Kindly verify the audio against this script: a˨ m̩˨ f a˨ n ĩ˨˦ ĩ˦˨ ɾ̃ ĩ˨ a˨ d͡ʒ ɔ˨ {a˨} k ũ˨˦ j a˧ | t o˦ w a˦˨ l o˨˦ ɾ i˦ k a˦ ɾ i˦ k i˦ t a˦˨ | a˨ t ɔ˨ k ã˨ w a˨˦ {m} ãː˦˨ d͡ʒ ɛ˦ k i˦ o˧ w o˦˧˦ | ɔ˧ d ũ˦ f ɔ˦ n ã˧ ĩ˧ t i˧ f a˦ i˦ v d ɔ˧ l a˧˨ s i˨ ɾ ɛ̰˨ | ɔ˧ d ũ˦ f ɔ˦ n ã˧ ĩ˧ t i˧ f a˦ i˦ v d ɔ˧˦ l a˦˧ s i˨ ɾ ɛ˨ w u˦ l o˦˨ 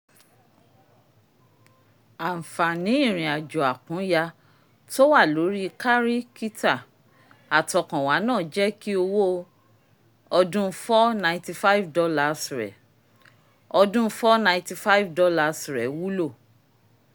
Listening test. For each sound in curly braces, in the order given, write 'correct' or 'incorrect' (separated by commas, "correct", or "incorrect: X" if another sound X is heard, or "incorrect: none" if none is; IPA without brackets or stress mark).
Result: correct, incorrect: n